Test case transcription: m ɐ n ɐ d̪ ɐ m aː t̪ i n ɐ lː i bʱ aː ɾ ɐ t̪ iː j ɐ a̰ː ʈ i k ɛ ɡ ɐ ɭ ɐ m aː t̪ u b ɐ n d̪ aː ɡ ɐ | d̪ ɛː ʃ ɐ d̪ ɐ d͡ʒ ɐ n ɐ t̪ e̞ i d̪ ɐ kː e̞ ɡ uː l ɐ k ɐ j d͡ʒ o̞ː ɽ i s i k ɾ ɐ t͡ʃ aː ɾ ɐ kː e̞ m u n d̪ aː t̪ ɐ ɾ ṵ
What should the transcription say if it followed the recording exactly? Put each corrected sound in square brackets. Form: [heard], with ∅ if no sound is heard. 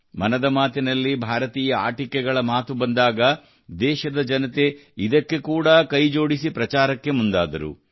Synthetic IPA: m ɐ n ɐ d̪ ɐ m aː t̪ i n ɐ lː i bʱ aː ɾ ɐ t̪ iː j ɐ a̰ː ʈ i k ɛ ɡ ɐ ɭ ɐ m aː t̪ u b ɐ n d̪ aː ɡ ɐ | d̪ ɛː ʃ ɐ d̪ ɐ d͡ʒ ɐ n ɐ t̪ e̞ i d̪ ɐ kː e̞ [k] uː [ɽ] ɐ k ɐ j d͡ʒ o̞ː ɽ i s i [p] ɾ ɐ t͡ʃ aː ɾ ɐ kː e̞ m u n d̪ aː [d̪] ɐ ɾ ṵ